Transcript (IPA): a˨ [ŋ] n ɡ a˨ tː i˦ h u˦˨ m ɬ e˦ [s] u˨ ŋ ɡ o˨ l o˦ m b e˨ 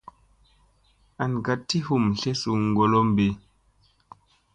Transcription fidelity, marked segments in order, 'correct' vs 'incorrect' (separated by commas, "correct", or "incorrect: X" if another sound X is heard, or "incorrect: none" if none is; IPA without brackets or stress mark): incorrect: none, correct